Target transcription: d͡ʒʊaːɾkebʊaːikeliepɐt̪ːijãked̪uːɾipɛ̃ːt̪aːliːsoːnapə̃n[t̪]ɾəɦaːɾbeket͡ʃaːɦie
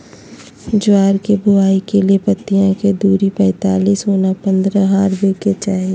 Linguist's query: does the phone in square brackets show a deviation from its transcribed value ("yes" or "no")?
yes